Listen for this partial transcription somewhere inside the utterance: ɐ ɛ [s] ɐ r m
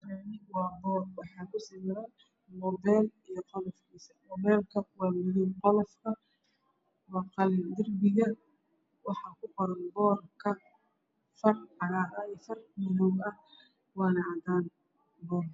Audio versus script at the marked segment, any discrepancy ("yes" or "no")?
yes